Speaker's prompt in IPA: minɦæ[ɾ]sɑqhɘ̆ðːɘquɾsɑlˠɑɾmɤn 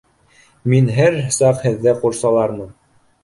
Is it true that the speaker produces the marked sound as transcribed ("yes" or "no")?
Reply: yes